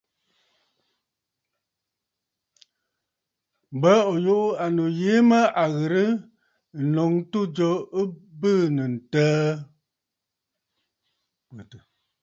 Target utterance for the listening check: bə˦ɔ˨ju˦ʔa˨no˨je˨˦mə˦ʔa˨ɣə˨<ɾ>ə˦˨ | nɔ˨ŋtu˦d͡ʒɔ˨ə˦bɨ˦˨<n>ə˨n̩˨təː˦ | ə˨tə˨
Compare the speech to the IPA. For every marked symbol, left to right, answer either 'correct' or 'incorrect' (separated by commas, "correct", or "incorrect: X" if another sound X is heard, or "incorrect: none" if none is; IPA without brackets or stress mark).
correct, correct